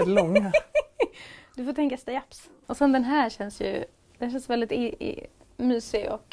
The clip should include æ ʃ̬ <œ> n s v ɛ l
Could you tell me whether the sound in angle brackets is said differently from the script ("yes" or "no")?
yes